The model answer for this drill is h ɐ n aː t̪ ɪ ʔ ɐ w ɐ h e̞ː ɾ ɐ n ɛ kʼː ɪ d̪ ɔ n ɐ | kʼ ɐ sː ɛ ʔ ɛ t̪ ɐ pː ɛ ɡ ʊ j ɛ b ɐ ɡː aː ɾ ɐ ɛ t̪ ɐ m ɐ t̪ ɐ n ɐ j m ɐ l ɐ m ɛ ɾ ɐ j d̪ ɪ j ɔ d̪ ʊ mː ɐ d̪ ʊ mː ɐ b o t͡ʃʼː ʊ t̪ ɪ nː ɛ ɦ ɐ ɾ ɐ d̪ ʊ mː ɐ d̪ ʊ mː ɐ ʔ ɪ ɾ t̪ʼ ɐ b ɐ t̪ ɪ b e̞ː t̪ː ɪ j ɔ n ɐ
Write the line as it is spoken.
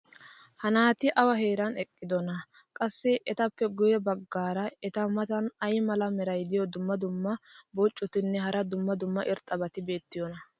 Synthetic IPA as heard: h ɐ n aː t̪ ɪ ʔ ɐ w ɐ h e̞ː ɾ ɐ n ɛ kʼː ɪ d̪ ɔ n ɐ | kʼ ɐ sː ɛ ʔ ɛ t̪ ɐ pː ɛ ɡ ʊ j ɛ b ɐ ɡː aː ɾ ɐ ɛ t̪ ɐ m ɐ t̪ ɐ n ɐ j m ɐ l ɐ m ɛ ɾ ɐ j d̪ ɪ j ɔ d̪ ʊ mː ɐ d̪ ʊ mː ɐ b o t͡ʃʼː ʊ t̪ ɪ nː ɛ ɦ ɐ ɾ ɐ d̪ ʊ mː ɐ d̪ ʊ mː ɐ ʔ ɪ ɾ t̪ʼ ɐ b ɐ t̪ ɪ b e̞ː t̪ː ɪ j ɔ n ɐ